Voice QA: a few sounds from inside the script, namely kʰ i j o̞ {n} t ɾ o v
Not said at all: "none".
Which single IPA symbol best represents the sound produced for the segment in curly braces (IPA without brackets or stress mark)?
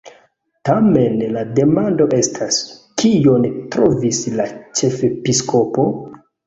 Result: n